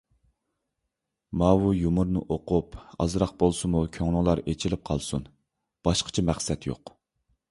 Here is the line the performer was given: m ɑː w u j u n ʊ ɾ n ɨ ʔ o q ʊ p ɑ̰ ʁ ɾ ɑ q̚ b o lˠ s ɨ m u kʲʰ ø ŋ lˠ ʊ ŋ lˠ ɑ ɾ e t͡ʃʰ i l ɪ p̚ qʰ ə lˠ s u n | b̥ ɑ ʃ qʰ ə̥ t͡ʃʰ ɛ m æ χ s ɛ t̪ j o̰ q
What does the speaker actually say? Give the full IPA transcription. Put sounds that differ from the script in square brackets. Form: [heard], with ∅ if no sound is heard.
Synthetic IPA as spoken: m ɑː w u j u [m] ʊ ɾ n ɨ ʔ o q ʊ p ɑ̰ [z] ɾ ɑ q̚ b o lˠ s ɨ m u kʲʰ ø ŋ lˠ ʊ ŋ lˠ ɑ ɾ e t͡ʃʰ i l ɪ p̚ qʰ [ɑ] lˠ s u n | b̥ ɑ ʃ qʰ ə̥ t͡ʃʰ ɛ m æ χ s ɛ t̪ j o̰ q